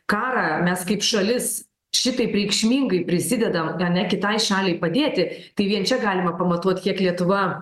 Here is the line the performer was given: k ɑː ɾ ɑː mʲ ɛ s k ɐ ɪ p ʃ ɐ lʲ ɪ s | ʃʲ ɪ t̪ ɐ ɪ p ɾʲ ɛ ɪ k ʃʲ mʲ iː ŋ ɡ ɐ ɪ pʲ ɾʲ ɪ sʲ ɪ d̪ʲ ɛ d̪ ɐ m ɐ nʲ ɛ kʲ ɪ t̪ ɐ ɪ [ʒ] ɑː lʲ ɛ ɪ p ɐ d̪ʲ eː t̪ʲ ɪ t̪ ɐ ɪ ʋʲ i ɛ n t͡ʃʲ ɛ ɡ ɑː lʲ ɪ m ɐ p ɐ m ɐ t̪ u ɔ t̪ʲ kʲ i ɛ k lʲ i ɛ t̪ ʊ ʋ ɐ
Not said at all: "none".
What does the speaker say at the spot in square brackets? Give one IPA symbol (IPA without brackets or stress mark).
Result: ʃ